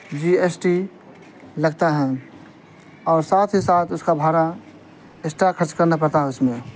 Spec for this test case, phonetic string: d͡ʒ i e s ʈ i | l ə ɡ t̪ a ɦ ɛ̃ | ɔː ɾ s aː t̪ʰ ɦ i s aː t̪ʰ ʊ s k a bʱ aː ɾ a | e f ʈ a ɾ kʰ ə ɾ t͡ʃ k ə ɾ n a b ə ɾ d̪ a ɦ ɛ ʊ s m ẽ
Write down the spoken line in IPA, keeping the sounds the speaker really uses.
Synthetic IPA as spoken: d͡ʒ i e s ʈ i | l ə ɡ t̪ a ɦ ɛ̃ | ɔː ɾ s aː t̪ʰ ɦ i s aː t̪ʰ ʊ s k a bʱ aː ɾ a | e s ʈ a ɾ kʰ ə ɾ t͡ʃ k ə ɾ n a p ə ɾ t̪ a ɦ ɛ ʊ s m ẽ